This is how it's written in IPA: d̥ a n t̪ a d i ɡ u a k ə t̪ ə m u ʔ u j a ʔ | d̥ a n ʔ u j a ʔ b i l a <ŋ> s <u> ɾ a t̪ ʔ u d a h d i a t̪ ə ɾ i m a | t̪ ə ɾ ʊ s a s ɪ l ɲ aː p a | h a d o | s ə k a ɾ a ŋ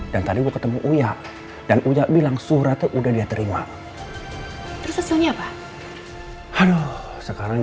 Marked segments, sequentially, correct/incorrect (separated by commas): correct, correct